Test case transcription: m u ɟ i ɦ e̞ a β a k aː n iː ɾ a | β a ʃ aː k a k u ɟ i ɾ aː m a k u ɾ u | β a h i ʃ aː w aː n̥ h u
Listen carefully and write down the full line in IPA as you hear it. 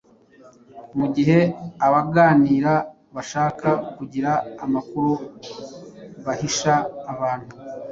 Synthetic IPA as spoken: m u ɟ i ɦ e̞ a β a ɡ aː n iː ɾ a | β a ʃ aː k a k u ɟ i ɾ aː m a k u ɾ u | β a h i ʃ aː β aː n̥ h u